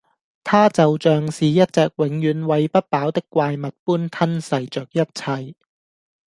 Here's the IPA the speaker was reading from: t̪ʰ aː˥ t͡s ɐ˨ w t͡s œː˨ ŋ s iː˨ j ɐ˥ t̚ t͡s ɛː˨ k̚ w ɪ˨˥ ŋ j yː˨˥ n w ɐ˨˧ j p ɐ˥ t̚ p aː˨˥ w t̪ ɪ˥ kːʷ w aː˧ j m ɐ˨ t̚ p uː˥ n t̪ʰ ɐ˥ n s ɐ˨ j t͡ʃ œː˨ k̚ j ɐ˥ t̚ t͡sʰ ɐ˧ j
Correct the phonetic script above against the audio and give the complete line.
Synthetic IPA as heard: t̪ʰ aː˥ t͡s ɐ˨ w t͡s œː˨ ŋ s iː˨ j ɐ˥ t̚ t͡s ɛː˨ k̚ w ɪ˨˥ ŋ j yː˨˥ n w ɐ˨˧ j p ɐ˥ t̚ p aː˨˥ w t̪ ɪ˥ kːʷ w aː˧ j m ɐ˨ t̚ p uː˥ n t̪ʰ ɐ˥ n s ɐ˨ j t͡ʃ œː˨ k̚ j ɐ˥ t̚ t͡sʰ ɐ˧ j